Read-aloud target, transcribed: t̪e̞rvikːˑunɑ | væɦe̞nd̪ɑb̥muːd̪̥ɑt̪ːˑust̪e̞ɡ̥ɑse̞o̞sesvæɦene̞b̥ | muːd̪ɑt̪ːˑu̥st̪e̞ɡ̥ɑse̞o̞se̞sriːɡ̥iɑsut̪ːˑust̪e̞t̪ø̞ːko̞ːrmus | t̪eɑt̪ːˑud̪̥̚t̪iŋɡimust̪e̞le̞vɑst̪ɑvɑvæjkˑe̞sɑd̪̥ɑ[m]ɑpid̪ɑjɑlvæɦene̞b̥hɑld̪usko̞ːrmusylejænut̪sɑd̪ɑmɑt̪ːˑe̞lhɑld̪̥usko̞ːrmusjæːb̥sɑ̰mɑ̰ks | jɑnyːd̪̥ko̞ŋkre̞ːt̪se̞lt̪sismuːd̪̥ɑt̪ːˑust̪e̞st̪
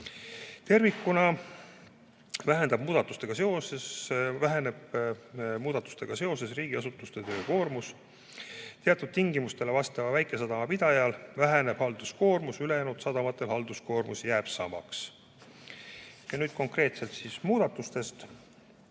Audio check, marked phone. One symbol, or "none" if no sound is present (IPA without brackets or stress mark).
m